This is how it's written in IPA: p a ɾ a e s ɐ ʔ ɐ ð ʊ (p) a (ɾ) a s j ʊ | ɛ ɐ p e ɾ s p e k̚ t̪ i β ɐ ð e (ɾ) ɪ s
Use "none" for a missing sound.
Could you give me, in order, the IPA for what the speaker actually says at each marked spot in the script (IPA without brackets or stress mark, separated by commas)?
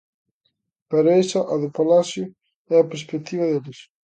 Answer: p, l, l